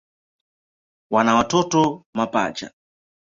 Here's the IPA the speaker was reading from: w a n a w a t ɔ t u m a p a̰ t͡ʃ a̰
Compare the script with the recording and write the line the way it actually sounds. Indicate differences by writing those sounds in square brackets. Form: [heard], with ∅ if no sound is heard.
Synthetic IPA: w a n a w a t ɔ t [ɔ] m a p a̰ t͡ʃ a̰